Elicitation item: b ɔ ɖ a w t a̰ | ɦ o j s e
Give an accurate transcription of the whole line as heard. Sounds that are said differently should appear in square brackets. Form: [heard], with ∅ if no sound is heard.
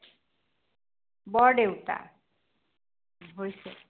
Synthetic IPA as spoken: b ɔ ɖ [e] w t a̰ | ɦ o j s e